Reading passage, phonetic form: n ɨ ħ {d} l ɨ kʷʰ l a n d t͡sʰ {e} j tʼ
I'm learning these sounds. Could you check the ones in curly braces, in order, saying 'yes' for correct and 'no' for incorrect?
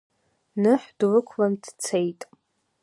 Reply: yes, yes

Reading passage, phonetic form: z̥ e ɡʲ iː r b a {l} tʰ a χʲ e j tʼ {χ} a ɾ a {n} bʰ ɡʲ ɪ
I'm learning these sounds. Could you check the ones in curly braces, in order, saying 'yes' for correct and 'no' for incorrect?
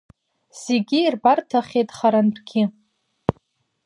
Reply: no, yes, yes

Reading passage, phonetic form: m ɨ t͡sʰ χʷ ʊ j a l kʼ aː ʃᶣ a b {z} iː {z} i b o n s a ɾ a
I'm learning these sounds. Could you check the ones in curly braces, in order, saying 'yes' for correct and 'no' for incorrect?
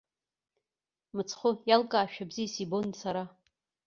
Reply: yes, no

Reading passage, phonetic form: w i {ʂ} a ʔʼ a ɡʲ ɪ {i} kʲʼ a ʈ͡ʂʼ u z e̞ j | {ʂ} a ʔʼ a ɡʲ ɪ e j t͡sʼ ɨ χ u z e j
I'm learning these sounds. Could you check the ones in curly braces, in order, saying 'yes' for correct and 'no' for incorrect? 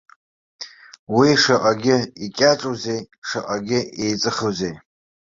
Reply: yes, yes, yes

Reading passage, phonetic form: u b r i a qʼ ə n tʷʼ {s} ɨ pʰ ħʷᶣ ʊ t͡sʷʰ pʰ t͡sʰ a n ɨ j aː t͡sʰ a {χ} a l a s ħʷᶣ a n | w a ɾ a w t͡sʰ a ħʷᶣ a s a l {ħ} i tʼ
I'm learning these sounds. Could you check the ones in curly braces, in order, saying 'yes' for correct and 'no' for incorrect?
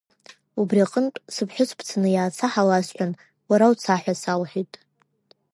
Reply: yes, no, yes

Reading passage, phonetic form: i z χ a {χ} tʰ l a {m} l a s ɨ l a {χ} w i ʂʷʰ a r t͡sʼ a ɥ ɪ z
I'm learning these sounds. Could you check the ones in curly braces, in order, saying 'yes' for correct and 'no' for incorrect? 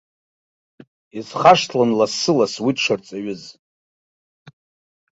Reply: no, no, no

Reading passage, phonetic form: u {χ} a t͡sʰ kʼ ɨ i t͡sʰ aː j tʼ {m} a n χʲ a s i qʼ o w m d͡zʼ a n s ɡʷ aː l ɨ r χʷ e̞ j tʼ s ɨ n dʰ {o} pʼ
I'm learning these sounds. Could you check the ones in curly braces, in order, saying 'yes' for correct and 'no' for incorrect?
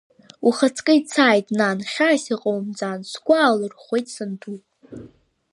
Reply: yes, no, no

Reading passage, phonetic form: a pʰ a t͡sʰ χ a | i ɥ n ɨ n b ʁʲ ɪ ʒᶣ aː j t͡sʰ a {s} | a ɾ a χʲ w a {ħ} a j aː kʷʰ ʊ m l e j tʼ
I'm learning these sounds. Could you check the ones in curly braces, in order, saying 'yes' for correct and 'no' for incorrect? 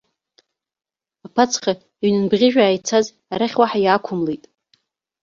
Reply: no, yes

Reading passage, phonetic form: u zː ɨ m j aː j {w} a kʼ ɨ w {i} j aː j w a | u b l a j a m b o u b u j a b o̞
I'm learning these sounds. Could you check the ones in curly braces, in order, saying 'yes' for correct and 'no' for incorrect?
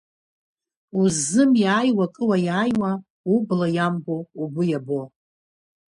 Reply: yes, no

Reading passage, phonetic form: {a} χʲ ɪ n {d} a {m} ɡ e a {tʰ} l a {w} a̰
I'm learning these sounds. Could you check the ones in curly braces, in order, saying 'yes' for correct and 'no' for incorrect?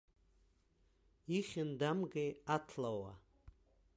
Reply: no, yes, yes, yes, yes

